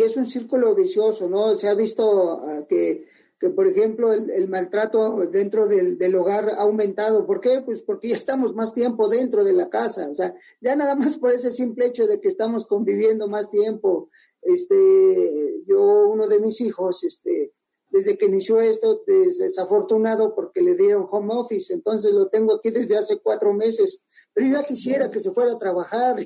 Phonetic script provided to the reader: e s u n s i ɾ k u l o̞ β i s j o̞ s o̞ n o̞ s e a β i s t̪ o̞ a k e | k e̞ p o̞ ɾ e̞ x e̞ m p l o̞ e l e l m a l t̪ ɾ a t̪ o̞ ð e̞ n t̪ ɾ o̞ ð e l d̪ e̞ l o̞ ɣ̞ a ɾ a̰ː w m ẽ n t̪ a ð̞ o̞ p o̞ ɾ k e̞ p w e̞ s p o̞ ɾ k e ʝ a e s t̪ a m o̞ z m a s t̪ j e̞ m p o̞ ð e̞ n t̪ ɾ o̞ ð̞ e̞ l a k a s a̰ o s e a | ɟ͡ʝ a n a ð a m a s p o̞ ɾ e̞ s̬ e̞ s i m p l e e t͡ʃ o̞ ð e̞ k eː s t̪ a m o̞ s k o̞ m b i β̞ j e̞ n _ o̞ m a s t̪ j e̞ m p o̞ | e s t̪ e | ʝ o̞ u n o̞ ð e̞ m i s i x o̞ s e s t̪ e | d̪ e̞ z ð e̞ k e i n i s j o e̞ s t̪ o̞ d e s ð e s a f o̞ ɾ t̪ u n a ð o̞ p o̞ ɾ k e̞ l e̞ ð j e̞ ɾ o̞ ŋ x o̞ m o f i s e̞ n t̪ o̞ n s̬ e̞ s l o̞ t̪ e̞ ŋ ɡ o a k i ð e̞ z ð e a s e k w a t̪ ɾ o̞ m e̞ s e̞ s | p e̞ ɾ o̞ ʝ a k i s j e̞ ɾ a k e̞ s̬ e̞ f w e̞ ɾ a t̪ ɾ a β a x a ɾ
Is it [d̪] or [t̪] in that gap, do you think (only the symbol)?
d̪